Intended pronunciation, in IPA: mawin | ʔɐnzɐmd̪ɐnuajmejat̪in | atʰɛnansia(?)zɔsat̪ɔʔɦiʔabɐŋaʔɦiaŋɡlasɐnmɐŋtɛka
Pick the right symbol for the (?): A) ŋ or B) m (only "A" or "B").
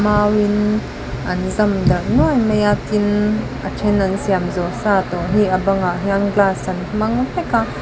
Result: B